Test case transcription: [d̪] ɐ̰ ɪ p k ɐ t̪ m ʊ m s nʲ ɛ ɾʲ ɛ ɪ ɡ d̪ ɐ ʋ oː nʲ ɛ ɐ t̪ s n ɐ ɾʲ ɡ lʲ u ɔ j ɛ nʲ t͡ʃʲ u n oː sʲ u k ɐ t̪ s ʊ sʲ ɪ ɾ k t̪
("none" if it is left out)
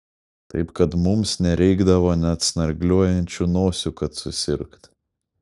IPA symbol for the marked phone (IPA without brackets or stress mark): t̪